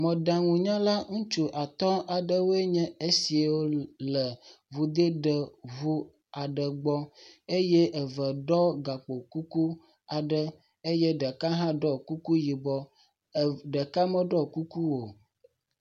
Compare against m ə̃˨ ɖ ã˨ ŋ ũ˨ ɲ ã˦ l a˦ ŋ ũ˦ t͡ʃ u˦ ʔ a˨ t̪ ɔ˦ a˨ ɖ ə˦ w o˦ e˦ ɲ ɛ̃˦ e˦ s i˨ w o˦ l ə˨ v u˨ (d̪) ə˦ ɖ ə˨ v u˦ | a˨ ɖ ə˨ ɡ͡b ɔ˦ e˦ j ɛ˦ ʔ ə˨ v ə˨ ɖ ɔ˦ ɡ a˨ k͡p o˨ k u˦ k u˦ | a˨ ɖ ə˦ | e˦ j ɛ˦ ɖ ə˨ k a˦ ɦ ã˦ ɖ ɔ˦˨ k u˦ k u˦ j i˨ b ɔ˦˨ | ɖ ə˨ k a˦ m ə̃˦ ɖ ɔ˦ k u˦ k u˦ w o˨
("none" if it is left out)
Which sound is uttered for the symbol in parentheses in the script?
d̪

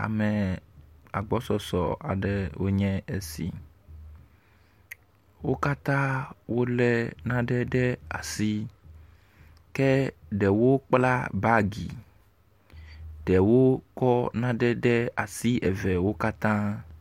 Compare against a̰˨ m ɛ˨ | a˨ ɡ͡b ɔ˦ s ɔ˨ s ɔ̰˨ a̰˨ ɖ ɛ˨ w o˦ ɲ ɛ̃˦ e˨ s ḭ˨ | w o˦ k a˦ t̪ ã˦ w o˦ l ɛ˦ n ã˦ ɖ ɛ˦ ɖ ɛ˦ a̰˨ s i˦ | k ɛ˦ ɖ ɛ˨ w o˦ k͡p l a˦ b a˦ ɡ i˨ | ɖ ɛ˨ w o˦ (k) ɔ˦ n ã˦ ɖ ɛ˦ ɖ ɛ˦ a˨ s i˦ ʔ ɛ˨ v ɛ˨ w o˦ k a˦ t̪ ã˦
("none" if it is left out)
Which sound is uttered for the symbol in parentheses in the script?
k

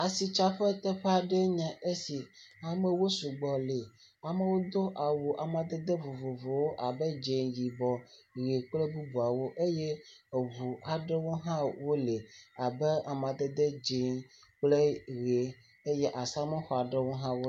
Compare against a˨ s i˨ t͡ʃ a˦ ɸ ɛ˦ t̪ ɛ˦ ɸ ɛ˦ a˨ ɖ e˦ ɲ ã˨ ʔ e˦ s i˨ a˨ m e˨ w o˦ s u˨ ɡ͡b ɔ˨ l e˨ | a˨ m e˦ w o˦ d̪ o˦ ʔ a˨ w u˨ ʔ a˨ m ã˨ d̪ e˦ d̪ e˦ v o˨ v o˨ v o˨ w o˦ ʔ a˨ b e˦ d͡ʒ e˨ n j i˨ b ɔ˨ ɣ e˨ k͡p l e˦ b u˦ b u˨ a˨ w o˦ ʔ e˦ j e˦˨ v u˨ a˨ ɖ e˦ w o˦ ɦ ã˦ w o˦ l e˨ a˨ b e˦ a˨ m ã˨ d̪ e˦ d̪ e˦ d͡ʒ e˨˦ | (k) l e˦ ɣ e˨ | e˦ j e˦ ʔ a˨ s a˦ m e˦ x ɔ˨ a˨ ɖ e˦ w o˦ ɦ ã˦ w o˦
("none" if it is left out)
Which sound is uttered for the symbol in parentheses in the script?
k͡p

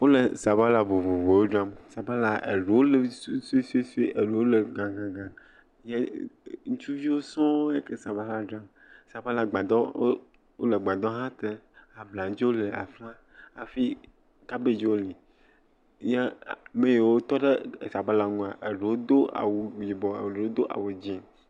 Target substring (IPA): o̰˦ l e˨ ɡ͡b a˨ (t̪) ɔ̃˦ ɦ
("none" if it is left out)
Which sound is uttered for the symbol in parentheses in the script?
d̪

